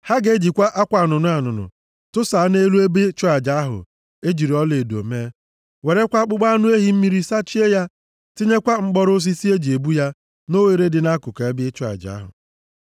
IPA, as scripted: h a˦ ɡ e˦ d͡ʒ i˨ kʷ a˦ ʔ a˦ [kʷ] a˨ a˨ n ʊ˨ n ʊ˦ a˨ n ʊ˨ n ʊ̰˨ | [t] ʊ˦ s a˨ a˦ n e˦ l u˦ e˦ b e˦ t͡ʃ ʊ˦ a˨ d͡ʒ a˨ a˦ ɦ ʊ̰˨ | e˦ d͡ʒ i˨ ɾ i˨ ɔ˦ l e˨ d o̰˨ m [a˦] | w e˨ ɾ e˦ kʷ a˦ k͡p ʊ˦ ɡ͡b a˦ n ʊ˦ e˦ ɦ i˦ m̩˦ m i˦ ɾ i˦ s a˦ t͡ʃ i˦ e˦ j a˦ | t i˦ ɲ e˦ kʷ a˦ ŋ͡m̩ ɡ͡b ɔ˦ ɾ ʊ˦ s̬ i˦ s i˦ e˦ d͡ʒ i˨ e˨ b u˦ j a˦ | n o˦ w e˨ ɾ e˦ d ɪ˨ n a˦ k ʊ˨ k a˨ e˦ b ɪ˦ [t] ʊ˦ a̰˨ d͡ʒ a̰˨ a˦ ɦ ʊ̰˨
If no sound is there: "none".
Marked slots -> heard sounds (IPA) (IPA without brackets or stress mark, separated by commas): kʷ, t, e˦, t͡ʃ